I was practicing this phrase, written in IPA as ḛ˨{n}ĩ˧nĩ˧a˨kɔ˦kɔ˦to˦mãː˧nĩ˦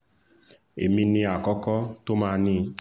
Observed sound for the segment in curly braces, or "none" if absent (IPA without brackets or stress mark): m